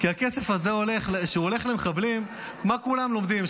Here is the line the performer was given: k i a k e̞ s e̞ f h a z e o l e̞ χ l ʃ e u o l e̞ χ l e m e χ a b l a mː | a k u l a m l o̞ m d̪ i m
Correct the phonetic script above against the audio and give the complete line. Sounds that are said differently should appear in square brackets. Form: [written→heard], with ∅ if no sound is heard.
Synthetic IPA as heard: k i a k e̞ s e̞ f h a z e o l e̞ χ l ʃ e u o l e̞ χ l e m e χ a b l [a→i] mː | a k u l a m l o̞ m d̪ i m